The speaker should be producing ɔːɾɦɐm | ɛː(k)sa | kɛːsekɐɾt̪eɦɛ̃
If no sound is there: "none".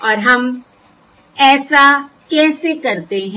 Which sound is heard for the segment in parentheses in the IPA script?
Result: none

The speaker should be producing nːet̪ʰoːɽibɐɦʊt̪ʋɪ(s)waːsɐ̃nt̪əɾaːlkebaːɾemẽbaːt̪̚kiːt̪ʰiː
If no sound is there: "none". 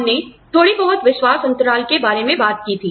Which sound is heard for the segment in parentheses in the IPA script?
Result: ʃ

